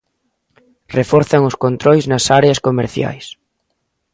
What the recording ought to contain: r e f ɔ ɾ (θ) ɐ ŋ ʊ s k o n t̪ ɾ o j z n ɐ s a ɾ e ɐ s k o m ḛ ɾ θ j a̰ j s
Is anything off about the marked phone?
no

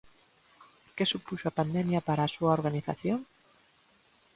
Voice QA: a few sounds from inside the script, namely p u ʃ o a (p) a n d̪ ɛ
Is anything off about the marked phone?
no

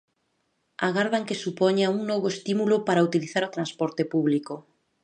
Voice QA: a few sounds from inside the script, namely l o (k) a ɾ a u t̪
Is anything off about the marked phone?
yes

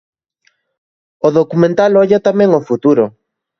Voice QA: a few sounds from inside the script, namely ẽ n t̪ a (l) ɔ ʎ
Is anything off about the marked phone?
no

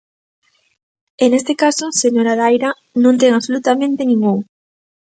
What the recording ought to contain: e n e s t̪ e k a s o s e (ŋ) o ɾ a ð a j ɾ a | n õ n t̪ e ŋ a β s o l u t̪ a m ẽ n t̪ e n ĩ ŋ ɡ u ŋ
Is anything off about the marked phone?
yes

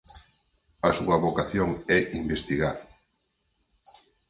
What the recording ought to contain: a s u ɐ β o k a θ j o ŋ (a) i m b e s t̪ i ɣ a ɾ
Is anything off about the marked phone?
yes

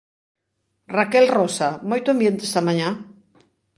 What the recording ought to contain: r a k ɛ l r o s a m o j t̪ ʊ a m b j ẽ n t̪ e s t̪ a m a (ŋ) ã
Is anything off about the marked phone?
yes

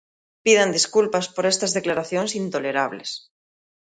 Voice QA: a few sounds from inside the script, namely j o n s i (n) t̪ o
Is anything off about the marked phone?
no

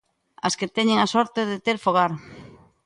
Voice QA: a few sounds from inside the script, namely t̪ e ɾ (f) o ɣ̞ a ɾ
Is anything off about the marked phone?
no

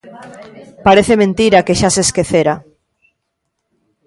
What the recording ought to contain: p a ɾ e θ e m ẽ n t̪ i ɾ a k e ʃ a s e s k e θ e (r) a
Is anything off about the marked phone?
yes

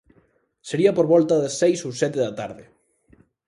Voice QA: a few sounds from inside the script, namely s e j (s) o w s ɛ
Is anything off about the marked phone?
no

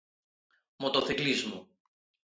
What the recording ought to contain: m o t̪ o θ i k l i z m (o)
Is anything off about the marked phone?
yes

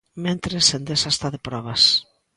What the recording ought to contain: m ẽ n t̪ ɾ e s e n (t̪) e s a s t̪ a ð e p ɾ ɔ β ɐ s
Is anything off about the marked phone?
yes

